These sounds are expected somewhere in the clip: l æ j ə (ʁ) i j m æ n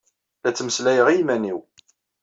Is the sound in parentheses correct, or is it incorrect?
correct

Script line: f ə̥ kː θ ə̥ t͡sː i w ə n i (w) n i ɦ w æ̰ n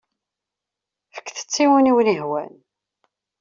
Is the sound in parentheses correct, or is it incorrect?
correct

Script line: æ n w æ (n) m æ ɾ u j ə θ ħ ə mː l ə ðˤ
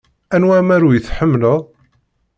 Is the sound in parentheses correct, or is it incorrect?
incorrect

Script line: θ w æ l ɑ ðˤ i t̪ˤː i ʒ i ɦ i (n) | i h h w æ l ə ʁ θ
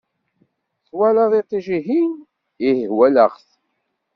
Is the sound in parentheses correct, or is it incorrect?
correct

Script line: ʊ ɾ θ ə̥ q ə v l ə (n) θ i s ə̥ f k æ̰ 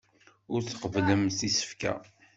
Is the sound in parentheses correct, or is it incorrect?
incorrect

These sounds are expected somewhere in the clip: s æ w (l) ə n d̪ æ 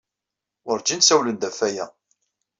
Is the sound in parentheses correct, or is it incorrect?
correct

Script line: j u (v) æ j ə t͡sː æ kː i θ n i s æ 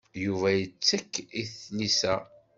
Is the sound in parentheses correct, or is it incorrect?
correct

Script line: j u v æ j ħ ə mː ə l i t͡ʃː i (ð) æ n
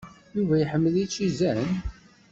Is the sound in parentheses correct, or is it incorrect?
incorrect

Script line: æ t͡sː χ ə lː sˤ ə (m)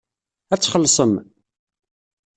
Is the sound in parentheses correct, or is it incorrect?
correct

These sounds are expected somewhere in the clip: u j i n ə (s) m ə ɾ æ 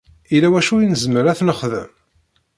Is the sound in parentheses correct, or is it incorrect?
incorrect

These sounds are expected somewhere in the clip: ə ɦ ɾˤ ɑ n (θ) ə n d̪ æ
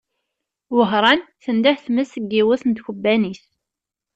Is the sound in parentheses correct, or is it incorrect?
correct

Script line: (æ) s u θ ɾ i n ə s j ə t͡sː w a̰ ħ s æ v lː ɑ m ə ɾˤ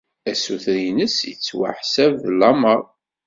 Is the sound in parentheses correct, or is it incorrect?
correct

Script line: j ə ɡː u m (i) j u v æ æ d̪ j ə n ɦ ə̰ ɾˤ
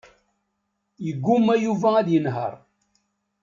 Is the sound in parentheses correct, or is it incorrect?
incorrect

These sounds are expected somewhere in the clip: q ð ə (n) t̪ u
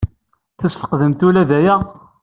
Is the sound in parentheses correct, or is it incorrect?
incorrect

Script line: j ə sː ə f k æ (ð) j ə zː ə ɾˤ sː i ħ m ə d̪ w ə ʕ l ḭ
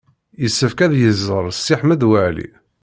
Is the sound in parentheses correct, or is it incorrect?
correct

